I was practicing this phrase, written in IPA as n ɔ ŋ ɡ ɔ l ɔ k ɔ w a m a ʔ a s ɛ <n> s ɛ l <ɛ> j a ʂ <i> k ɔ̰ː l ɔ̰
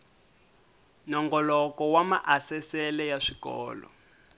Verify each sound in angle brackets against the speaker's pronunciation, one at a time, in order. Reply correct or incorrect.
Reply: incorrect: none, correct, correct

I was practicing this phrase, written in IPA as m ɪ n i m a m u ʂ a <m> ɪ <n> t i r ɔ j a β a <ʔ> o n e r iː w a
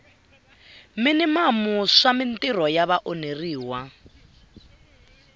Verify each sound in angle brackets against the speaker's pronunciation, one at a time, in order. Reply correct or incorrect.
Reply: correct, correct, correct

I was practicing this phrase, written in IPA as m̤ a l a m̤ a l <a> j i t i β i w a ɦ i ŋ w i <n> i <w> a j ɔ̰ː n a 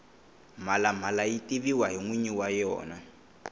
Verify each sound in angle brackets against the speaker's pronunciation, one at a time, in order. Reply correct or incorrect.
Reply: correct, incorrect: ɲ, correct

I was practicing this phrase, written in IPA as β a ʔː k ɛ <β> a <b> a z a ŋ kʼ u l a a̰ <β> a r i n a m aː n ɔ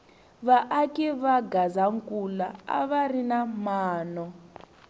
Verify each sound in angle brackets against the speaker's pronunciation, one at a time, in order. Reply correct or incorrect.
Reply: correct, incorrect: ɡ, correct

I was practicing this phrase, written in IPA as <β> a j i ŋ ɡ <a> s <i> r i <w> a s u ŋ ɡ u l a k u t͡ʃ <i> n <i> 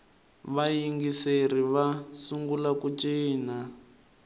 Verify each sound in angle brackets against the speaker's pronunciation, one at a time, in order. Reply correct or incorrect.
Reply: correct, incorrect: i, incorrect: e, incorrect: β, incorrect: iː, incorrect: a

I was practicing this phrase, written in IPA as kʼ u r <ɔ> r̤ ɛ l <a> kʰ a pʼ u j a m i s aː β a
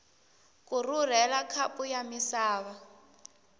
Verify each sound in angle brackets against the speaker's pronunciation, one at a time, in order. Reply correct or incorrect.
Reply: incorrect: u, correct

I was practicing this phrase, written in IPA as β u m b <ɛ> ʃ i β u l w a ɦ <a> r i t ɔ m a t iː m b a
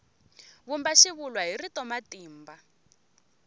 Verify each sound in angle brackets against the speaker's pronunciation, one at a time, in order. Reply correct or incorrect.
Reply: incorrect: a, incorrect: i

